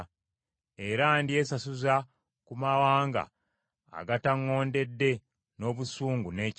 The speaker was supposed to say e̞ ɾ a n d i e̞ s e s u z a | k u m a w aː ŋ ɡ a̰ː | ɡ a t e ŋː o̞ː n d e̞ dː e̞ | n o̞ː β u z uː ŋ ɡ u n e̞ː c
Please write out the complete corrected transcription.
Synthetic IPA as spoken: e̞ ɾ a n d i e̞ s a s u z a | k u m a w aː ŋ ɡ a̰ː | ɡ a t a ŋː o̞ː n d e̞ dː e̞ | n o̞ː β u s uː ŋ ɡ u n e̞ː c